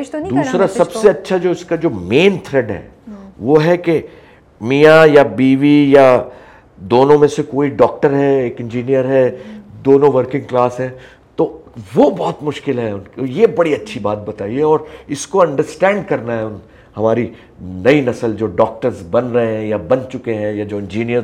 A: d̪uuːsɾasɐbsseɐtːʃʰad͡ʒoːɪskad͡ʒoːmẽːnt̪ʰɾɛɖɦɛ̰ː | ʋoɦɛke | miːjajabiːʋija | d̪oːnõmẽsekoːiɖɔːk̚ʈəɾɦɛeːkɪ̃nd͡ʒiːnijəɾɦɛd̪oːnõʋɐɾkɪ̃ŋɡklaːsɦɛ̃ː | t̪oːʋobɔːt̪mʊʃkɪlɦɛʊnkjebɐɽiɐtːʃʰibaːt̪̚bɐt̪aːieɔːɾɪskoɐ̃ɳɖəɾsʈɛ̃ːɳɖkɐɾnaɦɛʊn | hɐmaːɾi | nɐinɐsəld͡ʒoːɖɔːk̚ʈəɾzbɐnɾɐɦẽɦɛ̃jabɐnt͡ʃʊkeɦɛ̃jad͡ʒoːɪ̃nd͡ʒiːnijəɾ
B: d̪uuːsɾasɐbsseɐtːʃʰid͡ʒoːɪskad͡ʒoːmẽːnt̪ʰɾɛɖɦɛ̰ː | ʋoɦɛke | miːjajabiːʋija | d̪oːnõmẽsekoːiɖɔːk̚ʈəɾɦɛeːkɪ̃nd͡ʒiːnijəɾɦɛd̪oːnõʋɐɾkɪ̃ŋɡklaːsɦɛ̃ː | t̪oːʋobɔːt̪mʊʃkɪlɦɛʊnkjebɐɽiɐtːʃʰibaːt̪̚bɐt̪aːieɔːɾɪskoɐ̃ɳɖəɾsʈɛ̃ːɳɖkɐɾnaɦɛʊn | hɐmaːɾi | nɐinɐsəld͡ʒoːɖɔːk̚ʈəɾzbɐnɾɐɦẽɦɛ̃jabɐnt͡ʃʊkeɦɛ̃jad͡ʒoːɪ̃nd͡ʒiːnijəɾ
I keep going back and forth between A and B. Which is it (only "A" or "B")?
A